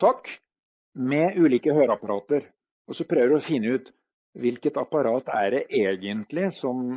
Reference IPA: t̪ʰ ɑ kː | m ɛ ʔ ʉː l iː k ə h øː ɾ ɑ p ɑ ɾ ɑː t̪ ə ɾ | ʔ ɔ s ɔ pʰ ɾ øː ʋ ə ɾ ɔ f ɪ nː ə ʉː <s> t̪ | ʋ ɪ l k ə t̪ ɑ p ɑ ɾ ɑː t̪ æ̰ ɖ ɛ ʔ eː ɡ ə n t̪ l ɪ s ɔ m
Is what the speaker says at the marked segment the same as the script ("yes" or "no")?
no